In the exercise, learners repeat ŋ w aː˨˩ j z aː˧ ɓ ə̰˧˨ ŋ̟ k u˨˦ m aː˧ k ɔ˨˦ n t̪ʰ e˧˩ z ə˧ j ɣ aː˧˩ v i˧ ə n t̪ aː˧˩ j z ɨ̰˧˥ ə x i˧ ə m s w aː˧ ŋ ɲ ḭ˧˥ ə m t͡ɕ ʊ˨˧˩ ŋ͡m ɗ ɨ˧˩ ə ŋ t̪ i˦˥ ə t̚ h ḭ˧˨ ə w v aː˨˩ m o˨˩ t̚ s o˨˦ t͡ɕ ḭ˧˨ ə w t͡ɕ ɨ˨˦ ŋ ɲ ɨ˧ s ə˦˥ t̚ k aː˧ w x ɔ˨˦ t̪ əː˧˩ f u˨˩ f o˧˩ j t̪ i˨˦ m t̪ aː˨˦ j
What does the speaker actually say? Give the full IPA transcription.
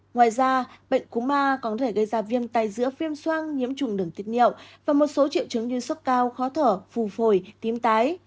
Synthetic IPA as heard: ŋ w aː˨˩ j z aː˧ ɓ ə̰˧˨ ŋ̟ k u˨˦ m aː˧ k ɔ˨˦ n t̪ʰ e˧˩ ɣ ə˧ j z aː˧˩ v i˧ ə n t̪ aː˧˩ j z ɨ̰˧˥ ə f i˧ ə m s w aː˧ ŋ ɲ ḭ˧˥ ə m t͡ɕ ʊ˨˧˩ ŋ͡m ɗ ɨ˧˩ ə ŋ t̪ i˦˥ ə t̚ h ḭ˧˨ ə w v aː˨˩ m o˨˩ t̚ s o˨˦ t͡ɕ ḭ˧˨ ə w t͡ɕ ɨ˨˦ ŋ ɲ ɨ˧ s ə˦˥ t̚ k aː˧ w x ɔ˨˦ t̪ʰ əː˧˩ f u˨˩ f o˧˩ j t̪ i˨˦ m t̪ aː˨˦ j